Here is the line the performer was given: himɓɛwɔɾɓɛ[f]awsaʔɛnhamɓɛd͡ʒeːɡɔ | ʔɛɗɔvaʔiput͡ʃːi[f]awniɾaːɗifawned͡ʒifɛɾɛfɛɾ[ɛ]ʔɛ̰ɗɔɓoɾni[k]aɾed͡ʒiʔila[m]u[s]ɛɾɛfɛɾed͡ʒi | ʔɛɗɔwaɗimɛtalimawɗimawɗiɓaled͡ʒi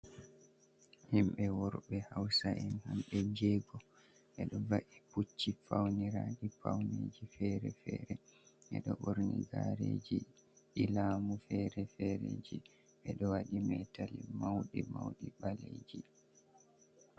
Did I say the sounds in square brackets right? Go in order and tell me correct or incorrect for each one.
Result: incorrect, correct, correct, incorrect, correct, incorrect

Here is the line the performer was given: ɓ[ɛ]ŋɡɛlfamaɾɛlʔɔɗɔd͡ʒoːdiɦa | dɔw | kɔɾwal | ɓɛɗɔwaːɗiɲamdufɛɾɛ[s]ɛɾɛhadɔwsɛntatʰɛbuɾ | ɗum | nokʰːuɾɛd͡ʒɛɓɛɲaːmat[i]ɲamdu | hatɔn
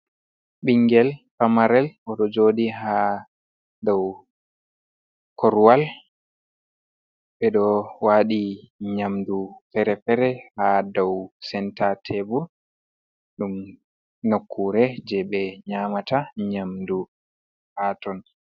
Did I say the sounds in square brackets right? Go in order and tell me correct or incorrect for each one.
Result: incorrect, incorrect, incorrect

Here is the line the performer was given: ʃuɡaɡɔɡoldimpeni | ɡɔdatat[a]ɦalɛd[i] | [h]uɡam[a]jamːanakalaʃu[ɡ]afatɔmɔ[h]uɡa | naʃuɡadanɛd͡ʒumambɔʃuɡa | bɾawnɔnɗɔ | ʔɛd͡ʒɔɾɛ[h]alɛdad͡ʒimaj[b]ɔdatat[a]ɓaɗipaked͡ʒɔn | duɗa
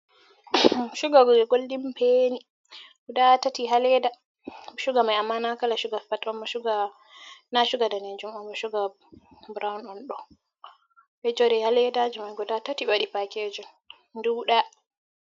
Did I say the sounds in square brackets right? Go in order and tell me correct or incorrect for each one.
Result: incorrect, incorrect, incorrect, correct, correct, incorrect, correct, incorrect, incorrect

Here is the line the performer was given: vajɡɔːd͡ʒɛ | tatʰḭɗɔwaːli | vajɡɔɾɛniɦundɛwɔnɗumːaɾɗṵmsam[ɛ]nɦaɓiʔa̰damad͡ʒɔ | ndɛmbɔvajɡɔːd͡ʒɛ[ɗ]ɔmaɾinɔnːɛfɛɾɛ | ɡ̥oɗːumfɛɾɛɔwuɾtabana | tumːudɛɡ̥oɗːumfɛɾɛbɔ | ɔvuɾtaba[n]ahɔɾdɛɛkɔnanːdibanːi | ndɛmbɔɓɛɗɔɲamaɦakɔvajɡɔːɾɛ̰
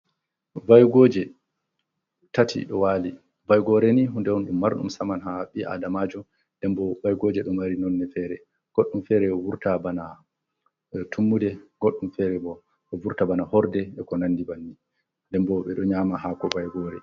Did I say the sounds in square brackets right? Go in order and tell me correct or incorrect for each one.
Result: incorrect, correct, correct

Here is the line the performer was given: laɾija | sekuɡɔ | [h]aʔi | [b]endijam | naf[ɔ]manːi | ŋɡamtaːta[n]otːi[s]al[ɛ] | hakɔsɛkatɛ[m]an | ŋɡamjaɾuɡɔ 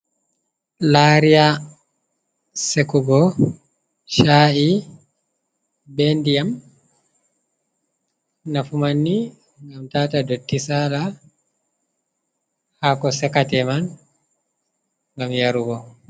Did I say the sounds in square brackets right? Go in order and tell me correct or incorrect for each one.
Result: incorrect, correct, incorrect, incorrect, correct, incorrect, correct

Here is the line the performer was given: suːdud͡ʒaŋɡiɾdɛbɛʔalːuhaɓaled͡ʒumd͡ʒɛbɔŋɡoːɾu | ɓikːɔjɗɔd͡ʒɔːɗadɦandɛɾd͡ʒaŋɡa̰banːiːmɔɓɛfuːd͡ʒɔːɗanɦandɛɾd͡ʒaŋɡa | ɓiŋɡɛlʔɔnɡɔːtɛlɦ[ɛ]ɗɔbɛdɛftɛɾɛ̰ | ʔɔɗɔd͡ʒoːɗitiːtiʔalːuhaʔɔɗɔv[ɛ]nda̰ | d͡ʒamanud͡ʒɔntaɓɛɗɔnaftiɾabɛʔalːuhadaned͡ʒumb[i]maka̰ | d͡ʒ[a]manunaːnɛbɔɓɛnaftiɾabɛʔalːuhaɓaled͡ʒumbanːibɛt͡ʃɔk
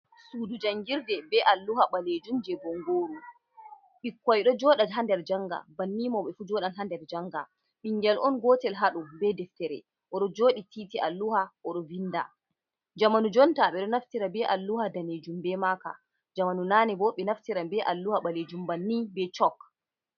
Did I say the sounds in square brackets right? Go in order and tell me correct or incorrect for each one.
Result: incorrect, incorrect, incorrect, correct

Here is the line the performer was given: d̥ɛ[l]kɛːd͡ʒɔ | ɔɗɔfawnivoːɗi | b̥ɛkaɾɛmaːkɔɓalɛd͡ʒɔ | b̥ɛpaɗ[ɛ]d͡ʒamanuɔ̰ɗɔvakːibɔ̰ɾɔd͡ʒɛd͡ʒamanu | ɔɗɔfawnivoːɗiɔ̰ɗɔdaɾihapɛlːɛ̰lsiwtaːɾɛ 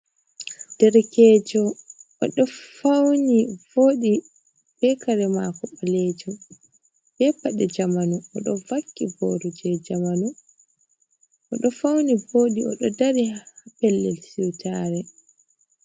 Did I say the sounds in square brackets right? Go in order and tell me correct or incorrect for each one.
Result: incorrect, correct

